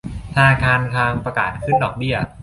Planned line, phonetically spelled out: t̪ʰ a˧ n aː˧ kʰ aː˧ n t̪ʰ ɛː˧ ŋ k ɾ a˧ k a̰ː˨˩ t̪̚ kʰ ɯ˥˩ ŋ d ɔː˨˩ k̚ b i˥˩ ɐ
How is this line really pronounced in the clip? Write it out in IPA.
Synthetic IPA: t̪ʰ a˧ n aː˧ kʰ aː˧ n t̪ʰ aː˧ ŋ p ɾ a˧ k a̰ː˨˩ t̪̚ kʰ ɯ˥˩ n d ɔː˨˩ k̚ b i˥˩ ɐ